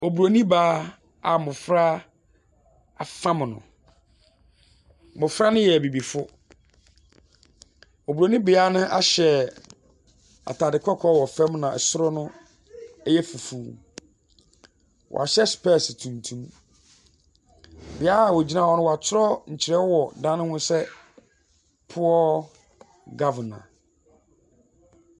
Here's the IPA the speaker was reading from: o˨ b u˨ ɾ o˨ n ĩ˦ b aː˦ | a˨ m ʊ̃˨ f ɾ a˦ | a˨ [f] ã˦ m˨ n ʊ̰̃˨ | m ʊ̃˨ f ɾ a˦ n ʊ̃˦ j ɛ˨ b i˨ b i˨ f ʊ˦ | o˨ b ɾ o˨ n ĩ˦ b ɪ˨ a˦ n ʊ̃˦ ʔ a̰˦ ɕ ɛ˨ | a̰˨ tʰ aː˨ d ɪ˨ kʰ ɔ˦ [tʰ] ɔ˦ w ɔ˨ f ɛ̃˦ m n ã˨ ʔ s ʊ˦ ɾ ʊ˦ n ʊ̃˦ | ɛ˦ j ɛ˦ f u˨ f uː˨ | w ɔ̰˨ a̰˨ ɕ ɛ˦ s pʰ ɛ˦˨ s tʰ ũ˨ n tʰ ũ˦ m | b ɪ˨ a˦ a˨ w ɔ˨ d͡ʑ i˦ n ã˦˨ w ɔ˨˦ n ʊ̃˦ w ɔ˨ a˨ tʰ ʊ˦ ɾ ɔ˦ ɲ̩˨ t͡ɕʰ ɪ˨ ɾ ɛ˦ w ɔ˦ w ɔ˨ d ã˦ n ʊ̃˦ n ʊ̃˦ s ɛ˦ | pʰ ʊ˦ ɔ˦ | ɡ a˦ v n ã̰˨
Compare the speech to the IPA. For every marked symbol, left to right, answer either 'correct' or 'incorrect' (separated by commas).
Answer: correct, incorrect